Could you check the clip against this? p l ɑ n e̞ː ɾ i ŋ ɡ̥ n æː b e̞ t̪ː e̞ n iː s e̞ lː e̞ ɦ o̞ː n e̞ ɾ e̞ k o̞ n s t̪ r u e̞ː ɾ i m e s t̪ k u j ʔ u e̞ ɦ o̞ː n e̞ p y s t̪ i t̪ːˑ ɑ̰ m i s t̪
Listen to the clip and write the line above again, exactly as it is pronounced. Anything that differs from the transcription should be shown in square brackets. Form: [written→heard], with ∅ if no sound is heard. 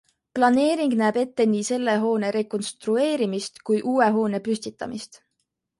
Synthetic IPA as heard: p l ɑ n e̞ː ɾ i ŋ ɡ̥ n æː b e̞ t̪ː e̞ n iː s e̞ lː e̞ ɦ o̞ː n e̞ ɾ e̞ k o̞ n s t̪ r u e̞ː ɾ i m [e→i] s t̪ k u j ʔ [u→uː] e̞ ɦ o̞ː n e̞ p y s t̪ i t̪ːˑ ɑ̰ m i s t̪

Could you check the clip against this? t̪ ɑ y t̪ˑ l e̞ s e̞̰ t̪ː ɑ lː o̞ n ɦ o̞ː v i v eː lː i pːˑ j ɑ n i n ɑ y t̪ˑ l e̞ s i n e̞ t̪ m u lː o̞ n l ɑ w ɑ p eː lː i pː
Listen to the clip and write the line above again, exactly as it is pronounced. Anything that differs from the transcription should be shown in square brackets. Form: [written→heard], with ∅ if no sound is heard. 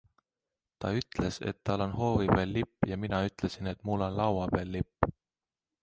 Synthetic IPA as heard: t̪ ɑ y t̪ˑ l e̞ s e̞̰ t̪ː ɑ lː o̞ n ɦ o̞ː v i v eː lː i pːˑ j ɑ [n→m] i n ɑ y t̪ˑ l e̞ s i n e̞ t̪ m u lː o̞ n l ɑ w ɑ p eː lː i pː

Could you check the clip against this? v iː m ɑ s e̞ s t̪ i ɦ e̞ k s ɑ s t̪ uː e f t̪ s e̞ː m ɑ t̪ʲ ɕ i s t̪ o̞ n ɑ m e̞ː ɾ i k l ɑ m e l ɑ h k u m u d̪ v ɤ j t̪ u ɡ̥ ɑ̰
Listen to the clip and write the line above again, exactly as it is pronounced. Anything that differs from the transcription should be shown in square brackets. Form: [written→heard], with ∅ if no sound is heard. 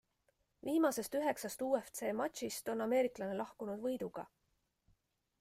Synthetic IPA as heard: v iː m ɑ s e̞ s t̪ [i→y] ɦ e̞ k s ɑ s t̪ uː e f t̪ s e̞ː m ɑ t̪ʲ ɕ i s t̪ o̞ n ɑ m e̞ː ɾ i k l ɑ [m→n] e l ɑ h k u [m→n] u d̪ v ɤ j [t̪→d̪] u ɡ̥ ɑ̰

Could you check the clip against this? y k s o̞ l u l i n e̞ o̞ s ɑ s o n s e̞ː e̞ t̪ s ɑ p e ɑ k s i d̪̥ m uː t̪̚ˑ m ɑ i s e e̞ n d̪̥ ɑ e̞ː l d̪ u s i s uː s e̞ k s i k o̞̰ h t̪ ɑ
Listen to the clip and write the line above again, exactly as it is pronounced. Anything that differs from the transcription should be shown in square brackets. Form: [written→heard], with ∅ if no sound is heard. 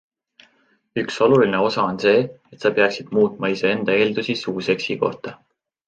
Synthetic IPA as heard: y k s o̞ l u l i n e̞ o̞ s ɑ [s→∅] o n s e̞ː e̞ t̪ s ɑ p e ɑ k s i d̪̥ m uː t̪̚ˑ m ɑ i s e e̞ n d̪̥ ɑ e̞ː l d̪ u s i s uː s e̞ k s i k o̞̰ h t̪ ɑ

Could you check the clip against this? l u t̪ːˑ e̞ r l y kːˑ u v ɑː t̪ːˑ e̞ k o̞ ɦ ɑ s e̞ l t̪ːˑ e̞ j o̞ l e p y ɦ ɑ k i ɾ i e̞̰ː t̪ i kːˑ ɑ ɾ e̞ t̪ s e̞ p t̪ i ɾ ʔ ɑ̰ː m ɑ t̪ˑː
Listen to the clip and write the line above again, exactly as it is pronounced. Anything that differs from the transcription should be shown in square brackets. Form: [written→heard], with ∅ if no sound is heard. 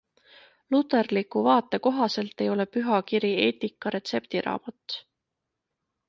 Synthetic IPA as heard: l u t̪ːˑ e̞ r l [y→i] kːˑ u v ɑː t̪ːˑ e̞ k o̞ ɦ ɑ s e̞ l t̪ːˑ e̞ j o̞ l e p y ɦ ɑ k i ɾ i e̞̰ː t̪ i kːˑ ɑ ɾ e̞ t̪ s e̞ p t̪ i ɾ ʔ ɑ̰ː m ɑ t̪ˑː

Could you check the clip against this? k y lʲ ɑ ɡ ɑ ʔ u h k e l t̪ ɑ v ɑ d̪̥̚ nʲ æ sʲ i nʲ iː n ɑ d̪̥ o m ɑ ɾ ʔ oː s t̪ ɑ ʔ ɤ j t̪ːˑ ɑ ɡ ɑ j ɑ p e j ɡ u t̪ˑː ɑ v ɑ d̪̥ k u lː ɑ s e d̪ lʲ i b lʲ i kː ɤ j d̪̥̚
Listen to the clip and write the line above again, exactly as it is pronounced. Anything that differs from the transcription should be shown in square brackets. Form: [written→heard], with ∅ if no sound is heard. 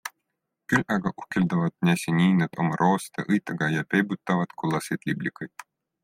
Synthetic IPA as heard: k y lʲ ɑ ɡ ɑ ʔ u h k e l [t̪→d̪] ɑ v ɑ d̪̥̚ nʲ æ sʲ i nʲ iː n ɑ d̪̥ o m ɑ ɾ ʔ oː s t̪ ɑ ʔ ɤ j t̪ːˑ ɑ ɡ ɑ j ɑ p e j [ɡ→b] u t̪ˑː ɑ v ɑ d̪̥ k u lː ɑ s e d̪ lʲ i b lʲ i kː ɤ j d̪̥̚

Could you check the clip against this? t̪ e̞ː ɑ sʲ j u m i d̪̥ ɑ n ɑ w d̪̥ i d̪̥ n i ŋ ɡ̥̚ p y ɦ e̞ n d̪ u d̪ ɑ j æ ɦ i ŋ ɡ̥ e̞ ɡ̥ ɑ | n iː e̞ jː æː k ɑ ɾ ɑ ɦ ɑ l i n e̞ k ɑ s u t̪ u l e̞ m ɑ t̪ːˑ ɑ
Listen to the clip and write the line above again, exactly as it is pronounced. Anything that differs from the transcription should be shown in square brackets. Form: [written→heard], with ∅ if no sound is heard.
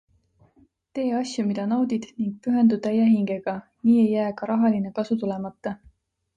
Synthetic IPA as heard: t̪ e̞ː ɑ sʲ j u m i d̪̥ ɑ n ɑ w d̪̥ i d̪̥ n i ŋ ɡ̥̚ p y ɦ e̞ n d̪ u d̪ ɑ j æ ɦ i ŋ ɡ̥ e̞ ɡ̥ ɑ | n iː e̞ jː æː k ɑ ɾ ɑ ɦ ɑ l i n e̞ k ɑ s u t̪ u l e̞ m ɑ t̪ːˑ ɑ

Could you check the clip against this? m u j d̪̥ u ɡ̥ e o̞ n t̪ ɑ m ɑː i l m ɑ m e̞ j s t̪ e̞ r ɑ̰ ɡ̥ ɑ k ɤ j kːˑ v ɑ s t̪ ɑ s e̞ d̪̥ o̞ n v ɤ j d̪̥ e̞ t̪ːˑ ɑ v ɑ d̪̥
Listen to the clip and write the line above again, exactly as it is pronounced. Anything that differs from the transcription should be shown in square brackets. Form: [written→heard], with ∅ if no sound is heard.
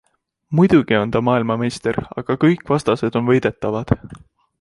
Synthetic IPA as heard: m u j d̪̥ u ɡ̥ [e→i] o̞ n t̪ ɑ m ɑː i l m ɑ m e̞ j s t̪ e̞ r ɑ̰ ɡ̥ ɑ k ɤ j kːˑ v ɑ s t̪ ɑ s e̞ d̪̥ o̞ n v ɤ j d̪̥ e̞ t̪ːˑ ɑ v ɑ d̪̥

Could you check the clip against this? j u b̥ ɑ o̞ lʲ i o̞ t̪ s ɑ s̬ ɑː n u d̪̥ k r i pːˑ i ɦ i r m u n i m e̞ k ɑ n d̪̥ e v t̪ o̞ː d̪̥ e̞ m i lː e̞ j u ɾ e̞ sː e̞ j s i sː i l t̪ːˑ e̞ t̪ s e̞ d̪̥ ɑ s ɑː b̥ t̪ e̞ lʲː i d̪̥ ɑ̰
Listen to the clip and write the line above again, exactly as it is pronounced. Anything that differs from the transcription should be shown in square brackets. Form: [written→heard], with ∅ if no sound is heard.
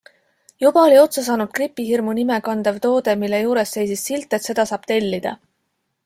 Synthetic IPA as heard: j u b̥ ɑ o̞ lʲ i o̞ t̪ s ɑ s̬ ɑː n u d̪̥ k r i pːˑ i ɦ i r m u n i m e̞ k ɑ n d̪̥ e v t̪ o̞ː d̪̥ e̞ m i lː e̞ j [u→uː] ɾ e̞ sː e̞ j s i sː i l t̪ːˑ e̞ t̪ s e̞ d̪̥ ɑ s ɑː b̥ t̪ e̞ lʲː i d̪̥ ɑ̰

